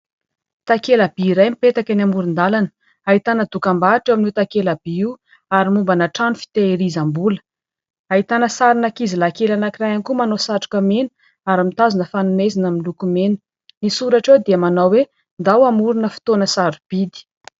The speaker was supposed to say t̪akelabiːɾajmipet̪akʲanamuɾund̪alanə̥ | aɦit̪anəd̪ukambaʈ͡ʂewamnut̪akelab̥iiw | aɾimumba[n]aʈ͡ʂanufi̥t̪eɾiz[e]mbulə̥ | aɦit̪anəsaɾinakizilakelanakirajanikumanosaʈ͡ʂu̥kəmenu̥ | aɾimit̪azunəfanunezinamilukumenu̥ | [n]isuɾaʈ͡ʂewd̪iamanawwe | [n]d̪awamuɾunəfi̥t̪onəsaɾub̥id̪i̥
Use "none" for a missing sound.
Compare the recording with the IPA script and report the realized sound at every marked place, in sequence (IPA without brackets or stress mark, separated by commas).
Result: n, a, n, n